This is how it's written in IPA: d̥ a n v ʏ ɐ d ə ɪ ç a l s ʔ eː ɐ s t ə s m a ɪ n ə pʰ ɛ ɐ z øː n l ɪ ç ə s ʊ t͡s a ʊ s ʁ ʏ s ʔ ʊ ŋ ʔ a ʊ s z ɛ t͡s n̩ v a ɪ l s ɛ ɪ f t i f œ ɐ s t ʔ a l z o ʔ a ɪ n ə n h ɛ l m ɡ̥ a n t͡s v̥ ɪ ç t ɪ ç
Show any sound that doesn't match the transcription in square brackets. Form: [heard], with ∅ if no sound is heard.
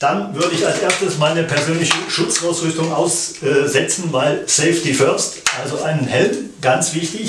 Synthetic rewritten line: d̥ a n v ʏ ɐ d ə ɪ ç a l s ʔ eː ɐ s t ə s m a ɪ n ə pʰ ɛ ɐ z øː n l ɪ ç ə [ʃ] ʊ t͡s a ʊ s ʁ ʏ s [t] ʊ ŋ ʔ a ʊ s z ɛ t͡s n̩ v a ɪ l s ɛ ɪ f t i f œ ɐ s t ʔ a l z o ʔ a ɪ n ə n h ɛ l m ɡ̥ a n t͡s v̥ ɪ ç t ɪ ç